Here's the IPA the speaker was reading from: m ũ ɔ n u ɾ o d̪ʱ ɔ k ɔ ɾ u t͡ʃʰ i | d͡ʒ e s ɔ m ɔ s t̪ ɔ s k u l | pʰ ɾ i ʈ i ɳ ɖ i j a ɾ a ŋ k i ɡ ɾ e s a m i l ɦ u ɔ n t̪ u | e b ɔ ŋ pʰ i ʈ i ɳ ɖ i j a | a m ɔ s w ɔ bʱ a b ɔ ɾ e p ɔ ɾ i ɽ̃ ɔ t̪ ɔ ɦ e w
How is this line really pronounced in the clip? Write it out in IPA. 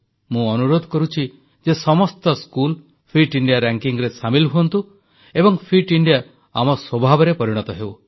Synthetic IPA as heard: m ũ ɔ n u ɾ o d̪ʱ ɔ k ɔ ɾ u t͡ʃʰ i | d͡ʒ e s ɔ m ɔ s t̪ ɔ s k u l | pʰ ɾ i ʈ i ɳ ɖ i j a ɾ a ŋ k i ŋ ɾ e s a m i l ɦ u ɔ n t̪ u | e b ɔ ŋ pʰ i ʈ i ɳ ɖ i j a | a m ɔ s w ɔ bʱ a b ɔ ɾ e p ɔ ɾ i ɽ̃ ɔ t̪ ɔ ɦ e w